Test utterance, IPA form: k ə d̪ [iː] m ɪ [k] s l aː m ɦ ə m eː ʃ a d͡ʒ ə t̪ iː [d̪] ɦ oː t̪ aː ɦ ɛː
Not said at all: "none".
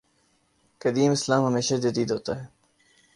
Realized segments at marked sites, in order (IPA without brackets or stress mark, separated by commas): iː, none, d̪